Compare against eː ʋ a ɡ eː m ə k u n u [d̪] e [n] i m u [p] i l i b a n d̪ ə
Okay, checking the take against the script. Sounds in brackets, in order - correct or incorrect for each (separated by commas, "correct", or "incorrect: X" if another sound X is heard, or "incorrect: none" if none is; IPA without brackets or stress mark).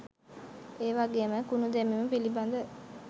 correct, incorrect: m, correct